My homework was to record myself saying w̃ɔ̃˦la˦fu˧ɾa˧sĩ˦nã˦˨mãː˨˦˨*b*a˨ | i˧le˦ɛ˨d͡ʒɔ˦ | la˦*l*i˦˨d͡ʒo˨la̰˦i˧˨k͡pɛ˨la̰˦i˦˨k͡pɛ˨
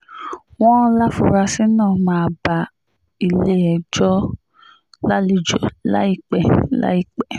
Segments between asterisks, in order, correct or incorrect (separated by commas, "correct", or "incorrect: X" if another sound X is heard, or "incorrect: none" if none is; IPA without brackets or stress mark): correct, correct